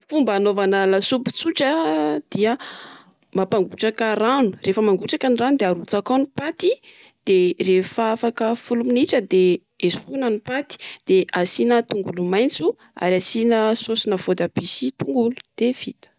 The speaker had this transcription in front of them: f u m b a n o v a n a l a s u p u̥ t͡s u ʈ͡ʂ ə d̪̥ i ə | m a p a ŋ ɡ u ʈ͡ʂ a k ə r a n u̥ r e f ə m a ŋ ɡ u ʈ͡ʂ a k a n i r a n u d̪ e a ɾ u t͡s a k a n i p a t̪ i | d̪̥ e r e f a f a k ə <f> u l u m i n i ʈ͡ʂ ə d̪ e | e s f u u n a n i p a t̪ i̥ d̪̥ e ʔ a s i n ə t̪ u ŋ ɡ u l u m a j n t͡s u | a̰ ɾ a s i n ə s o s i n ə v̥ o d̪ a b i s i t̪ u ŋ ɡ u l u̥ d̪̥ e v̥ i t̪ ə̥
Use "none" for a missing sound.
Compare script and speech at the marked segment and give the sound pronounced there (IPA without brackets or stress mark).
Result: f